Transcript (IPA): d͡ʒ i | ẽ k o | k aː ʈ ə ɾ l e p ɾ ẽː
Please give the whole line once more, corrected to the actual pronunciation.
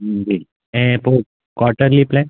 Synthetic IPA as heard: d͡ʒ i | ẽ p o | k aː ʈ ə ɾ l i p l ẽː